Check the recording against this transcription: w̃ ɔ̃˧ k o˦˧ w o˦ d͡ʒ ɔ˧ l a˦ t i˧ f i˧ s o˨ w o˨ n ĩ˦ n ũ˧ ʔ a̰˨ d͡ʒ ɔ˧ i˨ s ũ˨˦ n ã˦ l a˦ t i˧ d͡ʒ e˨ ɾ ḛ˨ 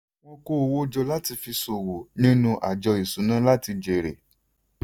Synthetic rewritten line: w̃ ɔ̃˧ k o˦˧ w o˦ d͡ʒ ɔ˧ l a˦ t i˧ f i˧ s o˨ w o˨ n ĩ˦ n ũ˧ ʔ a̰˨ d͡ʒ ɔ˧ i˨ s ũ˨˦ n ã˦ l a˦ t i˧ d͡ʒ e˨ ɾ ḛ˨